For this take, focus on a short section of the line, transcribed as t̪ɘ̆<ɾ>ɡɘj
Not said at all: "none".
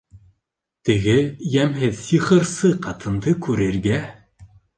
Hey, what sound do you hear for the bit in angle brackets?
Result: none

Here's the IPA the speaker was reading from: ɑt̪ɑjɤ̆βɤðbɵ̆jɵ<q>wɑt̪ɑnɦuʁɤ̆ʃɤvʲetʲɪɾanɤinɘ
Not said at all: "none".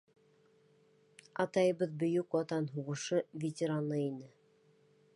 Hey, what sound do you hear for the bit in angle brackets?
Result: k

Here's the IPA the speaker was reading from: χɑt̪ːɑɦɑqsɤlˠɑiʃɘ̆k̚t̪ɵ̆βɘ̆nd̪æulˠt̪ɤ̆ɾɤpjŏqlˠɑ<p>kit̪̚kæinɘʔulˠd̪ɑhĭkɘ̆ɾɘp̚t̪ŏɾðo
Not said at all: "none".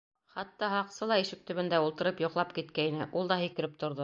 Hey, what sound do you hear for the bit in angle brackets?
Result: p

